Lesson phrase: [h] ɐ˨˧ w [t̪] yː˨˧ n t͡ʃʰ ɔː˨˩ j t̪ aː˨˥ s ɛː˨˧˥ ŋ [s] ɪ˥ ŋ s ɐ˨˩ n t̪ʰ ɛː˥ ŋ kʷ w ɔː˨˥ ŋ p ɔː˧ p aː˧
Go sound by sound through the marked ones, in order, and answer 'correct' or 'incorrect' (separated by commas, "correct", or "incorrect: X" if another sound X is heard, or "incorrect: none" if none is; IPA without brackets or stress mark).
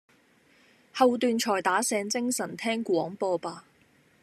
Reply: correct, correct, incorrect: t͡s